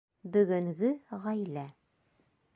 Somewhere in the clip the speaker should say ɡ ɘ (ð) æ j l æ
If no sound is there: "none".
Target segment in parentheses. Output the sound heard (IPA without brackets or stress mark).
ʁ